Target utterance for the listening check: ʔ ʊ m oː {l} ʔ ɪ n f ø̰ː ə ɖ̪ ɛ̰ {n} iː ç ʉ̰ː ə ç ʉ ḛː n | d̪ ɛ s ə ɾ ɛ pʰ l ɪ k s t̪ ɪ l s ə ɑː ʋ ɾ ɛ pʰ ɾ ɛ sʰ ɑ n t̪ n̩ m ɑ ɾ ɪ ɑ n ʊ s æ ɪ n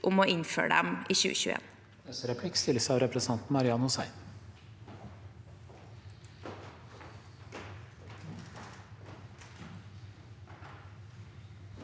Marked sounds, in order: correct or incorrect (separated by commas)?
incorrect, incorrect